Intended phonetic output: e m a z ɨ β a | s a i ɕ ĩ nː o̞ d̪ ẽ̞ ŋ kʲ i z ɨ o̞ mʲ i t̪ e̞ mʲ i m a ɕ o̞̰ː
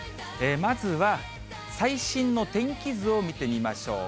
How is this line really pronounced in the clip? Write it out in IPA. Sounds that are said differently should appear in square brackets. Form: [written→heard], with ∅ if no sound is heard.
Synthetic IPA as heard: e m a z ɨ β a | s a i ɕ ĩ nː o̞ [d̪→t̪] ẽ̞ ŋ kʲ i z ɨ o̞ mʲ i t̪ e̞ mʲ i m a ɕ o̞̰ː